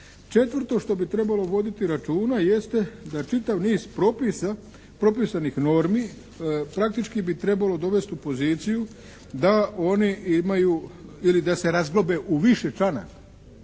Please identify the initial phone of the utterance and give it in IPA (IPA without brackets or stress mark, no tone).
t͡ʃ